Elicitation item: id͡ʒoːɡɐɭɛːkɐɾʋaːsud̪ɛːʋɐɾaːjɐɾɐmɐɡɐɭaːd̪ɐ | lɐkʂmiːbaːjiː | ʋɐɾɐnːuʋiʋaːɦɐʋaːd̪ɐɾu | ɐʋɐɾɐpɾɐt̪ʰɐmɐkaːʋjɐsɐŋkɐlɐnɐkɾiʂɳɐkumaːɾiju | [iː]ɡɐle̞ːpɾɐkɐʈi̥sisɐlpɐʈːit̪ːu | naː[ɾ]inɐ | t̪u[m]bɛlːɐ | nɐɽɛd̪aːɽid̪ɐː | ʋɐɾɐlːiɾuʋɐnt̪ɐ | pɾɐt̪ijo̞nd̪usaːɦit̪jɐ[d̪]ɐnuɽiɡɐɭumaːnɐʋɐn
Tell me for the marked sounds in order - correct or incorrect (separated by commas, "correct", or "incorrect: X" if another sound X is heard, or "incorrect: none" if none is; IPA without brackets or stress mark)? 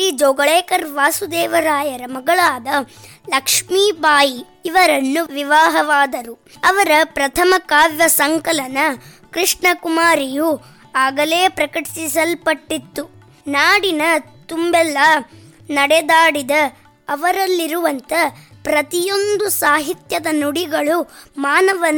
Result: incorrect: aː, incorrect: ɽ, correct, correct